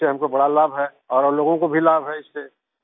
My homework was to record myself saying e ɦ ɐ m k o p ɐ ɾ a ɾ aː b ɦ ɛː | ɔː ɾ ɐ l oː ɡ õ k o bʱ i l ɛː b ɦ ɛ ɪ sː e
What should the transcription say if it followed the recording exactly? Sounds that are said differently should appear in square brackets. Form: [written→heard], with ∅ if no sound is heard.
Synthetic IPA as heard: e ɦ ɐ m k o [p→b] ɐ [ɾ→ɽ] a [ɾ→l] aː b ɦ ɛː | ɔː ɾ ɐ l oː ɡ õ k o bʱ i l [ɛː→aː] b ɦ ɛ ɪ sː e